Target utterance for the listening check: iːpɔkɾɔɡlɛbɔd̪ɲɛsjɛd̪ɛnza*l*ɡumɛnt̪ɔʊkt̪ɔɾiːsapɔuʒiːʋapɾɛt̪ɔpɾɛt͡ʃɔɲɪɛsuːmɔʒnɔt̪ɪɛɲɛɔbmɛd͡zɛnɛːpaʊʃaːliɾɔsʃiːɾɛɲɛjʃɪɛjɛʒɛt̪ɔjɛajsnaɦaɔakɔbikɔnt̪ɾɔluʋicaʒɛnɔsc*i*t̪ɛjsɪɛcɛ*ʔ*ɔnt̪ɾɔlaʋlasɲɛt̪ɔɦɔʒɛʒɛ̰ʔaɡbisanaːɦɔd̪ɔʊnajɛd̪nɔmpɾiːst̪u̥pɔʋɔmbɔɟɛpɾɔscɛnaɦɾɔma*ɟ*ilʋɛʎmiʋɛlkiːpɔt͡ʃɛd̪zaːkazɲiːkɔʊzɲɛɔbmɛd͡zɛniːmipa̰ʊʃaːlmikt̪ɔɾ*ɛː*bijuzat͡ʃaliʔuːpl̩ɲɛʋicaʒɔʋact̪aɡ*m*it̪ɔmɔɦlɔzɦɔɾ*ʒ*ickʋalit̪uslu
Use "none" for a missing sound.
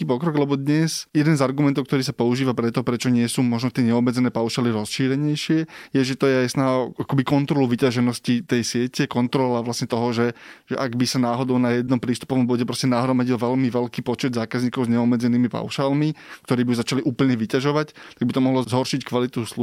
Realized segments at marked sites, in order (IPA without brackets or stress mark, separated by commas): ɾ, i, k, ɟ, iː, b, ʃ